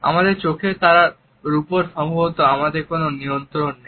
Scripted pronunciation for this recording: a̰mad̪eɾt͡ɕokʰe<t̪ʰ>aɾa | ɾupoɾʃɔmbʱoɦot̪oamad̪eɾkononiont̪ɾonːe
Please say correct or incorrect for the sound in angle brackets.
incorrect